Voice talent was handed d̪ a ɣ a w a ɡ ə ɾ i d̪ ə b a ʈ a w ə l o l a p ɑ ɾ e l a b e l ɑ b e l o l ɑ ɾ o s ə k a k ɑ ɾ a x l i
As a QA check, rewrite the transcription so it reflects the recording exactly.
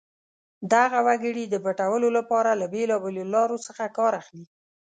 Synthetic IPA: d̪ a ɣ a w a ɡ ə ɽ i d̪ ə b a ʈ a w ə l o l a p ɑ ɾ a l a b e l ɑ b e l o l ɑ ɾ o s ə x a k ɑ ɾ a x l i